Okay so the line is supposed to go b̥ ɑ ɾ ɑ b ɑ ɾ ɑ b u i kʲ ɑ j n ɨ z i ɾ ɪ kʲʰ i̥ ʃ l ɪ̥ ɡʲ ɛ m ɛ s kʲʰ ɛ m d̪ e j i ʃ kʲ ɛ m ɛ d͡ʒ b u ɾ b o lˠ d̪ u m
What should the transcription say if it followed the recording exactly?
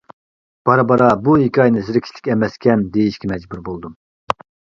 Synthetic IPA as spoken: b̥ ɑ ɾ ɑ b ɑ ɾ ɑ b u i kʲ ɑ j n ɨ z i ɾ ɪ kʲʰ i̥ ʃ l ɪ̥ kʲ ɛ m ɛ s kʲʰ ɛ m d̪ e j i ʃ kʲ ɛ m ɛ d͡ʒ b u ɾ b o lˠ d̪ u m